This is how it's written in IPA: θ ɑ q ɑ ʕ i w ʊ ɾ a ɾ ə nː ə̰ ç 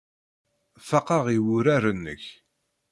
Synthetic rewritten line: f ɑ q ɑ ʁ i w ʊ ɾ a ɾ ə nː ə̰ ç